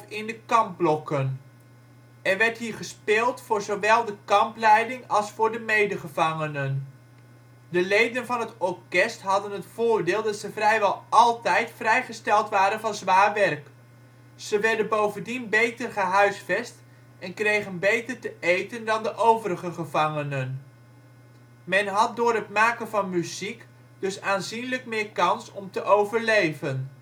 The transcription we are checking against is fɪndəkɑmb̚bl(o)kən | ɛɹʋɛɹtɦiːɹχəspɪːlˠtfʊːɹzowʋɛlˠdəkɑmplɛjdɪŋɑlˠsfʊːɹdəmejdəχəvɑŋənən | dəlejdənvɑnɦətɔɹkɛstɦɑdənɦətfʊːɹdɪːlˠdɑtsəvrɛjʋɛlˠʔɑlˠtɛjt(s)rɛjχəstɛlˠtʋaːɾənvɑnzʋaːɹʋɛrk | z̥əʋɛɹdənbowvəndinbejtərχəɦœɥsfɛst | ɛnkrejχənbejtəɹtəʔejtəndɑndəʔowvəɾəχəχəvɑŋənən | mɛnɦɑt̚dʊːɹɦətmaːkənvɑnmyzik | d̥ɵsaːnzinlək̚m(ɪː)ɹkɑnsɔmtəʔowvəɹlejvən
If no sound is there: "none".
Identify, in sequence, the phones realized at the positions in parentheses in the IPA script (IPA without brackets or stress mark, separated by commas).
ɔ, f, ɪː